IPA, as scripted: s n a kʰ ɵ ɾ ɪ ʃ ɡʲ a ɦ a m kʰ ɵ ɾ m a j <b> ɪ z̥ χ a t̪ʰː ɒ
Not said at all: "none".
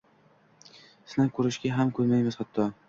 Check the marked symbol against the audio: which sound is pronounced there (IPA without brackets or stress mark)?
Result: m